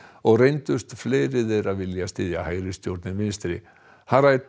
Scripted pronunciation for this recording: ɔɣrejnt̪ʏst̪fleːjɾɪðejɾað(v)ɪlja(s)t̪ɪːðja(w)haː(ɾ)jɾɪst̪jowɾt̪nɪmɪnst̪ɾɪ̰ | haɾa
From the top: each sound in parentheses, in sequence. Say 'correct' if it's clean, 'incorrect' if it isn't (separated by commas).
correct, correct, incorrect, incorrect